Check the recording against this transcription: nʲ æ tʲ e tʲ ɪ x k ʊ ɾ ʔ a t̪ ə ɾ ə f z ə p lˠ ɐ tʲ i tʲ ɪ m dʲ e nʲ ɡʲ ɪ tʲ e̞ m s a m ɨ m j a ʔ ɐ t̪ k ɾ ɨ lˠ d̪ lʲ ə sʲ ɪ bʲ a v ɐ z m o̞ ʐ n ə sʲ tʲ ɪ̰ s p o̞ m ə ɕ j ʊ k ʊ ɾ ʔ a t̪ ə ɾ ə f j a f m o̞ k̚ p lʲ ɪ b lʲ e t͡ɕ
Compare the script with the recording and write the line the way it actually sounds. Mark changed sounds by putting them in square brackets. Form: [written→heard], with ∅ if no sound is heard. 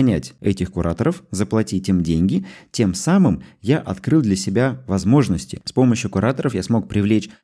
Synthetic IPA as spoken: nʲ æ tʲ [e→ɛ] tʲ ɪ x k ʊ ɾ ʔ a t̪ ə ɾ ə f z ə p lˠ ɐ tʲ i tʲ ɪ m dʲ e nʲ ɡʲ ɪ tʲ e̞ m s a m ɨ m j a ʔ ɐ t̪ k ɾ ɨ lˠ d̪ lʲ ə sʲ ɪ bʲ a v ɐ z m o̞ ʐ n ə sʲ tʲ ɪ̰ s p o̞ m ə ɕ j ʊ k ʊ ɾ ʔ a t̪ ə ɾ ə f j a [f→s] m o̞ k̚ p [lʲ→ɾʲ] ɪ [b→v] lʲ e t͡ɕ